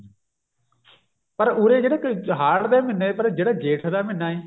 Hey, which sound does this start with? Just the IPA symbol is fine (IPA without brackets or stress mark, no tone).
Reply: p